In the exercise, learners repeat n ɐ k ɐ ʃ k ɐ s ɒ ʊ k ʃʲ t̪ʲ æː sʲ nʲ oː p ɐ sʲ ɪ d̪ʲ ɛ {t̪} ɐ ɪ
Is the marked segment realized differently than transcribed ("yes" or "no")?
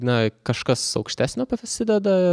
yes